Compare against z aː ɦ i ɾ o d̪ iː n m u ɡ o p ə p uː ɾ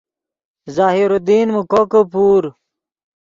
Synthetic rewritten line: z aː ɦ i ɾ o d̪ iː n m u k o k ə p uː ɾ